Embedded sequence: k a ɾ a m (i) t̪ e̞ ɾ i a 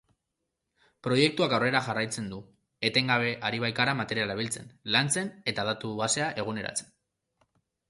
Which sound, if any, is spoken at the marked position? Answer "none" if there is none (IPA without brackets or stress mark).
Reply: a